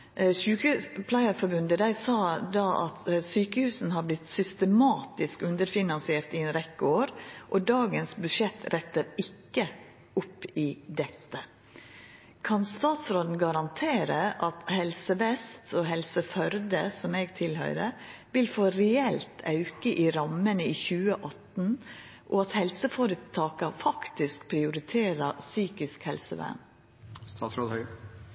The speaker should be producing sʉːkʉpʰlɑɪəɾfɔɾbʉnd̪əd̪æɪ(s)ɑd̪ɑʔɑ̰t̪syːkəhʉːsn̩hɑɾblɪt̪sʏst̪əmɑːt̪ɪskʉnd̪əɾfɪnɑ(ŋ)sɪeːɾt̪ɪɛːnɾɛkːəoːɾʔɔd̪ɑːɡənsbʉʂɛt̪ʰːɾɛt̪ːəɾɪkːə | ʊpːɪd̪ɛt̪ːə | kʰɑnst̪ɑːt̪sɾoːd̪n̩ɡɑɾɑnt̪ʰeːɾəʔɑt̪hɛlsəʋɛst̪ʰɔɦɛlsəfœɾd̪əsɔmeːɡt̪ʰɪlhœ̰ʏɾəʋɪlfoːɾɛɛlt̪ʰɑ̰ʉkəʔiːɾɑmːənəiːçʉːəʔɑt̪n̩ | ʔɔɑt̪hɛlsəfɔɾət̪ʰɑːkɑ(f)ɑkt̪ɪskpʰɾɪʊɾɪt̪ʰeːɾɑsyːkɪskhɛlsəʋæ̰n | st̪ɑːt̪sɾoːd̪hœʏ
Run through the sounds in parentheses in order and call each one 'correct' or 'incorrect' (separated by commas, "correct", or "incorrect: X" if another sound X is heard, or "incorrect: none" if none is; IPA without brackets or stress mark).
correct, incorrect: n, correct